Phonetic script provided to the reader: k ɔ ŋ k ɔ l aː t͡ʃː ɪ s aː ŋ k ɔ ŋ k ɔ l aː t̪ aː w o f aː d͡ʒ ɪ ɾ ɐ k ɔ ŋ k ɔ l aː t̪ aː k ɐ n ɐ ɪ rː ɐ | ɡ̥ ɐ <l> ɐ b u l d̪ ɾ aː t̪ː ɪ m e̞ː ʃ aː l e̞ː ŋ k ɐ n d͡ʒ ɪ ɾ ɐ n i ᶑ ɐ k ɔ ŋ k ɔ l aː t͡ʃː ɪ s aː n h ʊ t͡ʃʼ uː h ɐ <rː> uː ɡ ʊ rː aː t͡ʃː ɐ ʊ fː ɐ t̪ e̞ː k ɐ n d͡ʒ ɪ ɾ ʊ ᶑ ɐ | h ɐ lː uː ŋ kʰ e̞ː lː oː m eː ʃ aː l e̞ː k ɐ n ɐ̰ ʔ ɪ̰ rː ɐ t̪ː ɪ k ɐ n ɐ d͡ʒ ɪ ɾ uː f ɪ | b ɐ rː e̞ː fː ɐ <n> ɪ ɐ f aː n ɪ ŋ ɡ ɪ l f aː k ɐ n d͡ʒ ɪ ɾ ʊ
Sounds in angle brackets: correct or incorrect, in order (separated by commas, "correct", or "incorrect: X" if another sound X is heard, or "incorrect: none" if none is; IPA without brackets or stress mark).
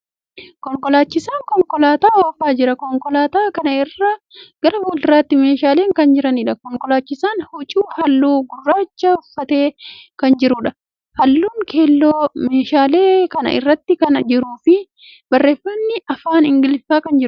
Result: incorrect: ɾ, incorrect: lː, incorrect: nː